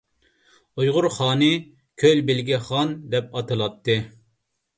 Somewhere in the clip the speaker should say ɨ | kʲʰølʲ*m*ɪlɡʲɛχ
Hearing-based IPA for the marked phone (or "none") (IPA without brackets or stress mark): b